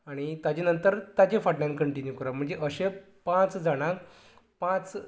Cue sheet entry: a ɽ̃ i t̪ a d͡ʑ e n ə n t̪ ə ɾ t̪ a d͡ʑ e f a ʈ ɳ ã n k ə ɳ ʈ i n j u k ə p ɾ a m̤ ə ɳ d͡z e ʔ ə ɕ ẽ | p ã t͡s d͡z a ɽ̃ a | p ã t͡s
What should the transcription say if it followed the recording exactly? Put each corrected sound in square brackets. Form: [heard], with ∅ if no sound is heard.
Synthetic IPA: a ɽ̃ i t̪ a d͡ʑ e n ə n t̪ ə ɾ t̪ a d͡ʑ e f a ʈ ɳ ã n k ə ɳ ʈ i n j u k ə [∅] ɾ a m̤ ə ɳ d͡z e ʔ ə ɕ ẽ | p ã t͡s d͡z a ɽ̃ a | p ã t͡s